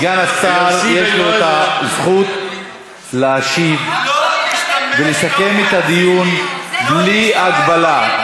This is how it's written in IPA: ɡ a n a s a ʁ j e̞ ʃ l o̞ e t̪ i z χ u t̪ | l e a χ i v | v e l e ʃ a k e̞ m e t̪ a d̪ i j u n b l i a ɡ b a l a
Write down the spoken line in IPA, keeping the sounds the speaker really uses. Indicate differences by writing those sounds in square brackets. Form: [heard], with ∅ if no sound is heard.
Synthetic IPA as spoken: ɡ a n a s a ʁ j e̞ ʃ l o̞ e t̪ [a] z χ u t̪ | l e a [ʃ] i v | v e l e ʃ a k e̞ m e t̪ a d̪ i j u n b l i a ɡ b a l a

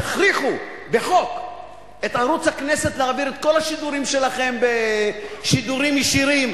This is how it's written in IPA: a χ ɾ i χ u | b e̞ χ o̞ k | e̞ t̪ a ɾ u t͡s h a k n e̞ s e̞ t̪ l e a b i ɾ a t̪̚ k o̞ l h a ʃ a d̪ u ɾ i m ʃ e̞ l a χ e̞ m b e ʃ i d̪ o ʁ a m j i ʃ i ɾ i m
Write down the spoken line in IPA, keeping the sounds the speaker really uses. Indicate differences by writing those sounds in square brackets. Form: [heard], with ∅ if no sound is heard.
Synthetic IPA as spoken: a χ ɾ i χ u | b e̞ χ o̞ k | e̞ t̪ a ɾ u t͡s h a k n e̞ s e̞ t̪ l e a b i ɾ [e] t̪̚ k o̞ l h a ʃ [i] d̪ u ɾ i m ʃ e̞ l a χ e̞ m b e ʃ i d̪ [u] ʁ [i] m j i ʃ i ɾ i m

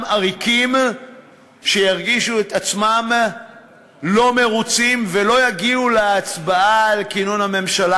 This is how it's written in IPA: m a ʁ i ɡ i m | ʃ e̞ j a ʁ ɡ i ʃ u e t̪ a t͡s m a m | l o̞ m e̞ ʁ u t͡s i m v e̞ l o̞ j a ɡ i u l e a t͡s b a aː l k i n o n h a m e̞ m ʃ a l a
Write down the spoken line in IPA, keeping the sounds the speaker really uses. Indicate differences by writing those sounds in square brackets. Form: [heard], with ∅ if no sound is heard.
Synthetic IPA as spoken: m a ʁ i [k] i m | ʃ e̞ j a ʁ ɡ i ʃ u e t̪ a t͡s m a m | l o̞ m e̞ ʁ u t͡s i m v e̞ l o̞ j a ɡ i u l e a t͡s b a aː l k i n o n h a m e̞ m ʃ a l a

